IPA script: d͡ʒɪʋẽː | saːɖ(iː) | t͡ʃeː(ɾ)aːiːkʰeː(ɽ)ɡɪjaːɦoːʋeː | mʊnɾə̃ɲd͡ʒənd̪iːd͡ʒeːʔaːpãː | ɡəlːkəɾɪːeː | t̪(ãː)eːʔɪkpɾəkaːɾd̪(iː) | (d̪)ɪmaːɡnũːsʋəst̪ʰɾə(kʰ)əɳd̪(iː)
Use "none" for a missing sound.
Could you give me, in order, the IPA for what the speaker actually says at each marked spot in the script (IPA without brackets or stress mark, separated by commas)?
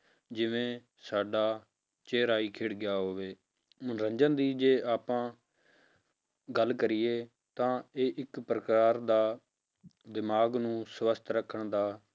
aː, ɾ, ɽ, ãː, aː, d̪, kʰ, aː